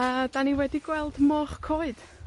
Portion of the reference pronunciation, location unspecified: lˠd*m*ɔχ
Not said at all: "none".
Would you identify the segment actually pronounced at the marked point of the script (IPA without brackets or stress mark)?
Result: m